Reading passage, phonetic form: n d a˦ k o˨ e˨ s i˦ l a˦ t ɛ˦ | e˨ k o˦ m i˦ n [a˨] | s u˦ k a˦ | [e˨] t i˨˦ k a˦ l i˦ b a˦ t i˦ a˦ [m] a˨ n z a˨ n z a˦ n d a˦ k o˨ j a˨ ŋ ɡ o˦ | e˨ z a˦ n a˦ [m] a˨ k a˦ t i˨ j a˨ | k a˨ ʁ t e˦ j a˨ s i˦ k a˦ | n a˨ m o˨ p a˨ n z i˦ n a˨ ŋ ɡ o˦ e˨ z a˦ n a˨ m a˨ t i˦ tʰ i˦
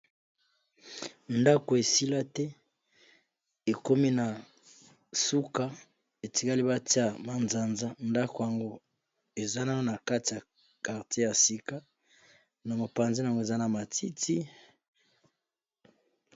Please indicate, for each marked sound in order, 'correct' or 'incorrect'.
correct, correct, correct, incorrect: n

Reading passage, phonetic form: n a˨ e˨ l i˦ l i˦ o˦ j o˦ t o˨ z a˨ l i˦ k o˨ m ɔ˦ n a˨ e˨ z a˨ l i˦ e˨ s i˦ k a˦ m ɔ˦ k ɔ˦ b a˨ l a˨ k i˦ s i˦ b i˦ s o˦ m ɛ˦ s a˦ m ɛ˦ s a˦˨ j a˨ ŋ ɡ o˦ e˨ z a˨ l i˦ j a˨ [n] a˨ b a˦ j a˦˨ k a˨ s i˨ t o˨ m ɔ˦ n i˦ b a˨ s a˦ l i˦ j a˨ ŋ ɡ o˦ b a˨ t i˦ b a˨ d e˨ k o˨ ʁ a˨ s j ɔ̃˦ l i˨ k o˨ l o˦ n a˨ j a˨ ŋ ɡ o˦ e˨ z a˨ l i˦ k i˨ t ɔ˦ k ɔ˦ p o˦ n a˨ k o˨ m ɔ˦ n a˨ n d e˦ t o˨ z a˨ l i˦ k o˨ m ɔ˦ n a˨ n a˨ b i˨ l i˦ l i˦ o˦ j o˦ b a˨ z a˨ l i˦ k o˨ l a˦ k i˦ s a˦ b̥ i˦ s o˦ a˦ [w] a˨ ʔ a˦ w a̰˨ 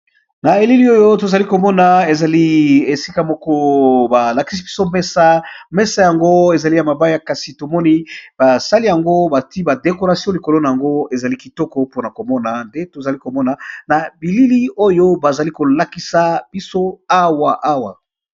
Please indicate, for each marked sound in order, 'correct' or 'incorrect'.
incorrect: m, correct

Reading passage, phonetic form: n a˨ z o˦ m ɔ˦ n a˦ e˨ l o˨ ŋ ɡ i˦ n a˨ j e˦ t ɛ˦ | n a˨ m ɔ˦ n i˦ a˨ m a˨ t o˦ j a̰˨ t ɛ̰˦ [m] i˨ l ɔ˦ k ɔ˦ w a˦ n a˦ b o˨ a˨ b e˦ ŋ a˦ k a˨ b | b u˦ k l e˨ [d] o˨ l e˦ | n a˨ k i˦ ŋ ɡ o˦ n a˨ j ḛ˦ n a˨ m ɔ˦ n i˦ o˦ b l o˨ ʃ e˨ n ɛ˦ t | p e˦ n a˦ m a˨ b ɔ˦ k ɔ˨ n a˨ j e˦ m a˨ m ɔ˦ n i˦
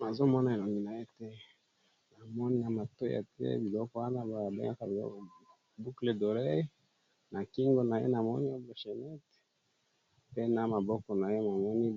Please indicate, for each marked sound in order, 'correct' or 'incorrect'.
incorrect: b, correct

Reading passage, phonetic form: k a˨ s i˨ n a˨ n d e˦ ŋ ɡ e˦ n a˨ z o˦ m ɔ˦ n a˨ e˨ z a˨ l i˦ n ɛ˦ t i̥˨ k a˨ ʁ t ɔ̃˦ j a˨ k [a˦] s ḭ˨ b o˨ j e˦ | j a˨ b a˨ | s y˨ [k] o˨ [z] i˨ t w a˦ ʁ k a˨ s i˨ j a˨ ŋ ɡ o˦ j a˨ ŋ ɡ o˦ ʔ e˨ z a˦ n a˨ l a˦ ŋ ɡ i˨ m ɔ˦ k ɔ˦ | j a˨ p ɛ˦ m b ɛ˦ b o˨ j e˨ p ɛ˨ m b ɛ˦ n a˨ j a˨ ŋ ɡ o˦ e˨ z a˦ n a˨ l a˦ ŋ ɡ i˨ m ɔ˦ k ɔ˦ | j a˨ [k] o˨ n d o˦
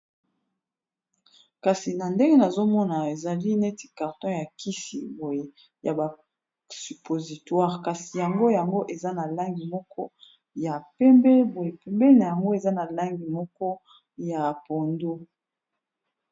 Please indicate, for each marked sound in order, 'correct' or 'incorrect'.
incorrect: i˦, incorrect: p, correct, incorrect: p

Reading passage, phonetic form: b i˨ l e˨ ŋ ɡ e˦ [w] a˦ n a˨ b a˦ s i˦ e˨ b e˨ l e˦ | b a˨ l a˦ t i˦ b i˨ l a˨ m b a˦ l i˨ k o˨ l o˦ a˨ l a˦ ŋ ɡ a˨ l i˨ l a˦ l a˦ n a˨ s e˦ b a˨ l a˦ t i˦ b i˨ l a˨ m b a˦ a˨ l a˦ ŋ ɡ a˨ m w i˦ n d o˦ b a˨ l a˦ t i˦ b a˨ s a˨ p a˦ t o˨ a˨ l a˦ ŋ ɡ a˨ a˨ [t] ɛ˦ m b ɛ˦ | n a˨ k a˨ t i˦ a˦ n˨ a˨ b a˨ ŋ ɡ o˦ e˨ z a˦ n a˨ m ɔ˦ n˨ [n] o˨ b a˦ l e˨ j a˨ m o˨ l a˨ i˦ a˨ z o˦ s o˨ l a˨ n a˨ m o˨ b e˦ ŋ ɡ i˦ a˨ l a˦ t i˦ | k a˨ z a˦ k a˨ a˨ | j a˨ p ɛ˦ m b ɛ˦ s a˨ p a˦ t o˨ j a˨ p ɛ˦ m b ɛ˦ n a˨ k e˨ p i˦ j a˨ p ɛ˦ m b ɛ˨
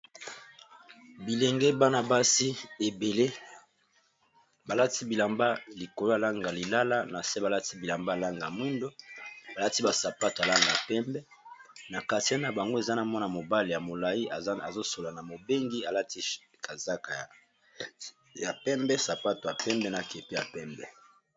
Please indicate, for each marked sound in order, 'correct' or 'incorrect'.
incorrect: b, incorrect: p, incorrect: m

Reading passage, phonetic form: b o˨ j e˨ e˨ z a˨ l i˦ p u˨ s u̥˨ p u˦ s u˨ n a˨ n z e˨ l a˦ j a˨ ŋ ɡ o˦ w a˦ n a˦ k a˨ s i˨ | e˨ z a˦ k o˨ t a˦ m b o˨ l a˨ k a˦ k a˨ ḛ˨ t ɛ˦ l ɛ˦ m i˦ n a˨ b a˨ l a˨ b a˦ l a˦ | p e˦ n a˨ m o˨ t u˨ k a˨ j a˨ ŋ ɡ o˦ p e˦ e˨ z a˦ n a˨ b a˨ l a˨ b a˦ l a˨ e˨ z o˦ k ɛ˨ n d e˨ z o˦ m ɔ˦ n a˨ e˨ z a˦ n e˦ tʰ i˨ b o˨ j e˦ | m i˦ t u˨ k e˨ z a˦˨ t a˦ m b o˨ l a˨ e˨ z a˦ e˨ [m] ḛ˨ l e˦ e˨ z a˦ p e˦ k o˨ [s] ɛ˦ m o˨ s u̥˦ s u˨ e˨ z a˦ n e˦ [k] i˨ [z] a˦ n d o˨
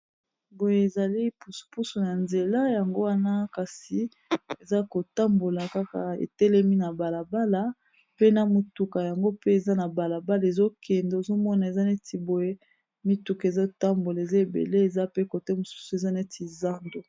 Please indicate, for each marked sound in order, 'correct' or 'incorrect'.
incorrect: b, incorrect: t, incorrect: t, correct

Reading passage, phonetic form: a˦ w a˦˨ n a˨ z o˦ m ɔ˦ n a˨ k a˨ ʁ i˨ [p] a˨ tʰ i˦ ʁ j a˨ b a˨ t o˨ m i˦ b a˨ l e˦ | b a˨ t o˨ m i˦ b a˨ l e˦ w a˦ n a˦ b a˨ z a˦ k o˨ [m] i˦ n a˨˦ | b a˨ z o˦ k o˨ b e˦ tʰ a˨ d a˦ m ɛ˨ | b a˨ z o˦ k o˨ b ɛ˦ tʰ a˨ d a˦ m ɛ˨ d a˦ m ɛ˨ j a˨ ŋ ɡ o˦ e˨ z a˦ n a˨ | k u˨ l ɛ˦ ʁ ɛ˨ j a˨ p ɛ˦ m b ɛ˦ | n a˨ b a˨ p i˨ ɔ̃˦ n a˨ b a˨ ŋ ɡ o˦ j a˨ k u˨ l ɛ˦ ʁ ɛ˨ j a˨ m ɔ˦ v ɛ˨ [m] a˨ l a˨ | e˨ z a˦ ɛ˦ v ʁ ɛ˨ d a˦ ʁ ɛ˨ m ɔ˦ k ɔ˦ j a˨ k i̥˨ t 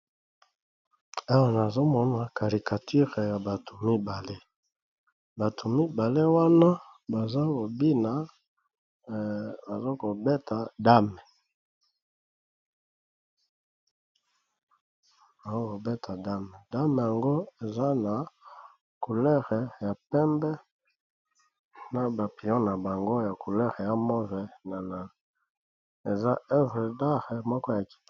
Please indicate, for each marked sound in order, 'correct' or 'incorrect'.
incorrect: k, incorrect: b, incorrect: n

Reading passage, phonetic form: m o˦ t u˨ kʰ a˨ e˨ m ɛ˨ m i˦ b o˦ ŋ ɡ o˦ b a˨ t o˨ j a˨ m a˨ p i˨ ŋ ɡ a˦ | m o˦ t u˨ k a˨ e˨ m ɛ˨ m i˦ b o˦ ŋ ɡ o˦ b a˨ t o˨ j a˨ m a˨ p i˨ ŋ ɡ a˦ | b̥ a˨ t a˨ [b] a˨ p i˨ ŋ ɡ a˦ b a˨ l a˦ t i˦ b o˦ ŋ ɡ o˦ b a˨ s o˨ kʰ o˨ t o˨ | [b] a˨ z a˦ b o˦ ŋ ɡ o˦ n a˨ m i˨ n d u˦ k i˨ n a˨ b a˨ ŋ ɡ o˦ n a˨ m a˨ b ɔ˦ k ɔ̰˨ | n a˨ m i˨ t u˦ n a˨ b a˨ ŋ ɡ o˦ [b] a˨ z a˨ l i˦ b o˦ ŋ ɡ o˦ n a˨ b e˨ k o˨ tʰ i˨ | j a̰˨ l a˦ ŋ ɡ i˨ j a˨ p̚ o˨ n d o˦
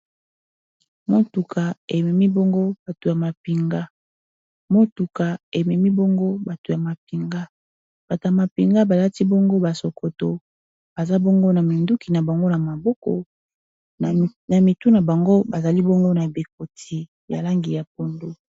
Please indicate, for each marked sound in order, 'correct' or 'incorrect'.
incorrect: m, correct, correct

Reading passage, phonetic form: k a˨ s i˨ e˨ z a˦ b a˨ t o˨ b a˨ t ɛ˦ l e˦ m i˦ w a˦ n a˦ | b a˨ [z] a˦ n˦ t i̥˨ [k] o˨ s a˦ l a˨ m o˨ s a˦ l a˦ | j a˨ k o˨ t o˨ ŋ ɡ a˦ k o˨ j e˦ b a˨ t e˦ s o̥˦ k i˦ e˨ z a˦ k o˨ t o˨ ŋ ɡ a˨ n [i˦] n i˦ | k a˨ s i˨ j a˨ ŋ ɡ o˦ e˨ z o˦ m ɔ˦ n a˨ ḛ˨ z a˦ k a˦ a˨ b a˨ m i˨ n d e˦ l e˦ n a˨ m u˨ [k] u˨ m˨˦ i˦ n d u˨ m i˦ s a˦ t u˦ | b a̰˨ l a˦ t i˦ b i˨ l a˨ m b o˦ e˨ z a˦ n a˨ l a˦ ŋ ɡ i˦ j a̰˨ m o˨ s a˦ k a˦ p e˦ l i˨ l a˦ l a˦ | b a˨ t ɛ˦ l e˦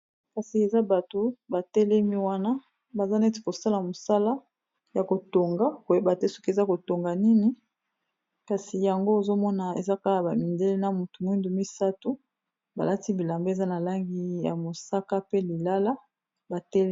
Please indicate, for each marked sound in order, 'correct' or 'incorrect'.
correct, correct, correct, incorrect: t

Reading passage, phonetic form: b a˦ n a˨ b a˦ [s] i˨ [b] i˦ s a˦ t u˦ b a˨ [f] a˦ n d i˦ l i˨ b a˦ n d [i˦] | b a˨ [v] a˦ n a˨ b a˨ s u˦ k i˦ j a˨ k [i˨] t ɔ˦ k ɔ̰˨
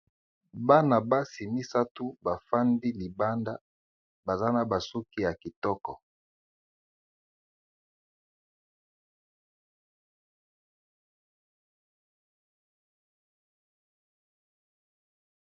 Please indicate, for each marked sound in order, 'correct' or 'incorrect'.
correct, incorrect: m, correct, incorrect: a˦, incorrect: z, correct

